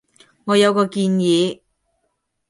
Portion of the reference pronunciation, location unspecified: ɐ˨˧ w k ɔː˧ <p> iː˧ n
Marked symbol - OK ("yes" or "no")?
no